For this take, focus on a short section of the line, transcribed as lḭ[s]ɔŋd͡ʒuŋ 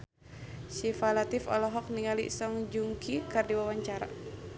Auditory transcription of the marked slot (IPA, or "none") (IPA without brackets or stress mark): s